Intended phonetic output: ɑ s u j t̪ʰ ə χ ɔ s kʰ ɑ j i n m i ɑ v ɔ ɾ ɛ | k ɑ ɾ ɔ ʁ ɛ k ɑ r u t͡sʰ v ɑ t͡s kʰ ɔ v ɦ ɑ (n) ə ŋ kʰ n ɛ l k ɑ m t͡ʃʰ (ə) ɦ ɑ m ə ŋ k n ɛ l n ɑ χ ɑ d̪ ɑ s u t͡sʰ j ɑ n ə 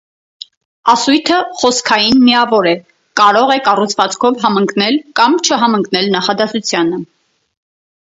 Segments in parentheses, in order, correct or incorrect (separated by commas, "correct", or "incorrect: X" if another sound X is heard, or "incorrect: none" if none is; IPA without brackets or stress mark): incorrect: m, correct